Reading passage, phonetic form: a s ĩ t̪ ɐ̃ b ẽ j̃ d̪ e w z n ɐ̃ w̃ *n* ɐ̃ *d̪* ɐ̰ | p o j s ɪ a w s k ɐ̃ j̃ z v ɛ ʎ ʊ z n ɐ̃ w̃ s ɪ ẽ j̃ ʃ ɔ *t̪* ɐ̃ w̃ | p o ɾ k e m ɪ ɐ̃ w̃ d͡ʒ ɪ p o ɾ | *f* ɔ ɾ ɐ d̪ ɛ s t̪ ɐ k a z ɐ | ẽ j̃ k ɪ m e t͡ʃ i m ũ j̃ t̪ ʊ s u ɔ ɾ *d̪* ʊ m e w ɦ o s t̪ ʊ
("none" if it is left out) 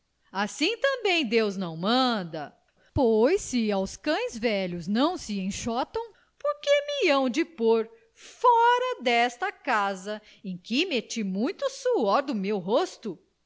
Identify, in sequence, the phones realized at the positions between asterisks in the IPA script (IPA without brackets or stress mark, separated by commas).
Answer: m, d̪, t̪, f, d̪